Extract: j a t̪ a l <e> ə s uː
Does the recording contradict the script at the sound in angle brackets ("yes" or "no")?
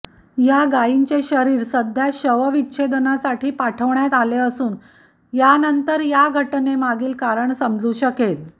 no